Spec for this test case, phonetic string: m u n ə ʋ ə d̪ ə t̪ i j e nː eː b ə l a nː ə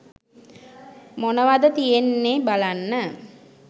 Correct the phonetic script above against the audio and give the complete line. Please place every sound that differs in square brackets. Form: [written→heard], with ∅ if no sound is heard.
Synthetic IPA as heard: m [u→o] n ə ʋ [ə→a] d̪ ə t̪ i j e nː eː b [ə→a] l a nː ə